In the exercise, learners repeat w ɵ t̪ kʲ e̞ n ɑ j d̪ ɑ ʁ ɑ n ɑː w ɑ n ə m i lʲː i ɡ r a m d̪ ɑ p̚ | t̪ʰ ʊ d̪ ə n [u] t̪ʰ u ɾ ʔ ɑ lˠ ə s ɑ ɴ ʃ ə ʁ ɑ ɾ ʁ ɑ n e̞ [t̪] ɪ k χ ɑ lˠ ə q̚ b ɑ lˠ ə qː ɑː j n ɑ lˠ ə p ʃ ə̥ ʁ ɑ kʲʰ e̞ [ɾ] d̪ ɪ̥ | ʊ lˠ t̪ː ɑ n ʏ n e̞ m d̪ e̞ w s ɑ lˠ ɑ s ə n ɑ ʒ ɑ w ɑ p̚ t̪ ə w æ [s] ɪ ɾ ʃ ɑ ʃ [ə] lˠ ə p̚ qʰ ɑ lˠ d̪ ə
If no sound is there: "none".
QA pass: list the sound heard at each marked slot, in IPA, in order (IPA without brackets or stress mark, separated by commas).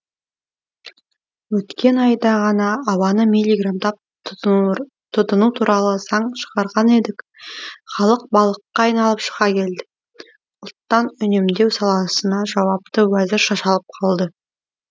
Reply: u, d̪, l, z, ɑ